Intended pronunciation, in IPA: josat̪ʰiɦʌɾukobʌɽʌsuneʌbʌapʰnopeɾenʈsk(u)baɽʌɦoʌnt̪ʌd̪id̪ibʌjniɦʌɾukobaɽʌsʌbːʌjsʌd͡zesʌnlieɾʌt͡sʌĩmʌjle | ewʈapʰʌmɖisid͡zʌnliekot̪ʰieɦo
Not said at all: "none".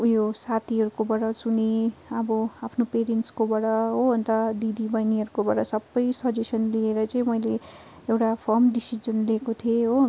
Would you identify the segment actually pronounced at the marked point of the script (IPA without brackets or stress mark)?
o